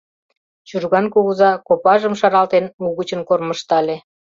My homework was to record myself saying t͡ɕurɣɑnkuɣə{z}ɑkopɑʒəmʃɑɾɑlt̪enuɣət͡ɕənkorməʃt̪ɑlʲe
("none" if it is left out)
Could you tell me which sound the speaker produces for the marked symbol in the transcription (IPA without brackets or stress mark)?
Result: z